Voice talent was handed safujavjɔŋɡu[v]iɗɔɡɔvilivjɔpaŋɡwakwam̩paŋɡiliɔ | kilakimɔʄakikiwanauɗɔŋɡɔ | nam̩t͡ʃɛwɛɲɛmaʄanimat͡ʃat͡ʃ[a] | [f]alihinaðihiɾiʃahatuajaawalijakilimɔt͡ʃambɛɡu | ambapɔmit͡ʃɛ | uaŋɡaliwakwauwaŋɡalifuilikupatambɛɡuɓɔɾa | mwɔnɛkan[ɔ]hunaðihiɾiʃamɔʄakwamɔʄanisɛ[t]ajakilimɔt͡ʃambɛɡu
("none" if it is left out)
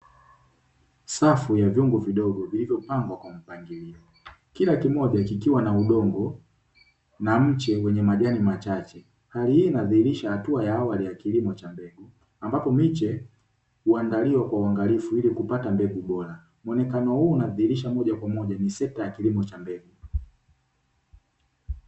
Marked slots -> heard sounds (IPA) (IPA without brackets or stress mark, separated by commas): v, ɛ, h, ɔ, t